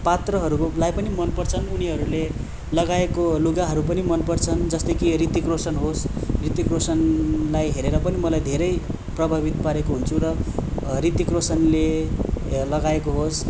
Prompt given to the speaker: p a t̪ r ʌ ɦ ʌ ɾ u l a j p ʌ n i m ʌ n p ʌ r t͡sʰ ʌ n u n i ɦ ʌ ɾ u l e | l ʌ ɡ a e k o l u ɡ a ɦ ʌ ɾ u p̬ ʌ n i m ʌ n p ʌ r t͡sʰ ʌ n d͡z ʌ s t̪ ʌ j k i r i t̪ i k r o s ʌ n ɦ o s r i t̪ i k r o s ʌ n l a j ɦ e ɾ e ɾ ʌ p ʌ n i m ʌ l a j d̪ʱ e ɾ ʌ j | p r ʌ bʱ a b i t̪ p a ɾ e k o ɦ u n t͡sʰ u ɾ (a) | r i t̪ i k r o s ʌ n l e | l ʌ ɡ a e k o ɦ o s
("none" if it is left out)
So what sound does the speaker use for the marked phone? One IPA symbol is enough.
ʌ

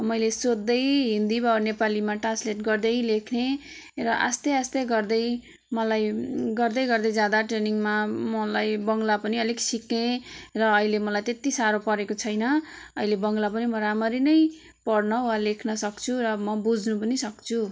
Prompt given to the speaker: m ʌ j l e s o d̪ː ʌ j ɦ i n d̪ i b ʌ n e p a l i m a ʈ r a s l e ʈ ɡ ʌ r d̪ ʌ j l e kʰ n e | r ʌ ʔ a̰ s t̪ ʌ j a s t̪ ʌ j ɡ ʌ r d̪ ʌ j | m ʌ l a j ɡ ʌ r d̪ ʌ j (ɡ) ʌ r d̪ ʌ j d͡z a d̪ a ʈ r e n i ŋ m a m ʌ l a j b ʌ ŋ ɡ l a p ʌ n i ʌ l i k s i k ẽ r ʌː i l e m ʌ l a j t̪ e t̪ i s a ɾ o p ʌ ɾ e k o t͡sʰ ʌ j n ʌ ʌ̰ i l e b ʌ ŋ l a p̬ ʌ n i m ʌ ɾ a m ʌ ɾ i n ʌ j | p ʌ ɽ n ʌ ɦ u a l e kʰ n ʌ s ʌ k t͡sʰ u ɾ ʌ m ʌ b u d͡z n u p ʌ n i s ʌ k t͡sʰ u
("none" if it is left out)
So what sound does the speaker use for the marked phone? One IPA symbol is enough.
ɡ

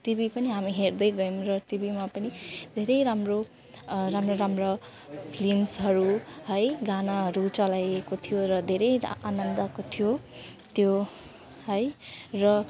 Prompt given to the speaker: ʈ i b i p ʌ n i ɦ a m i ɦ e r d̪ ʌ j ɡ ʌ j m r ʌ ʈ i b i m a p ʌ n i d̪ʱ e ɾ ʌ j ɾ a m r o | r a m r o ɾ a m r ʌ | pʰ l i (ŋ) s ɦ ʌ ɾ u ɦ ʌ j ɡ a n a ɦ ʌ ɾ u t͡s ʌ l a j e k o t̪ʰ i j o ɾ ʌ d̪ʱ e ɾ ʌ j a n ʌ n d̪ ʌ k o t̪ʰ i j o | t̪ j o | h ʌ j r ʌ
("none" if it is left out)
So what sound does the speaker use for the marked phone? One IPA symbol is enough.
m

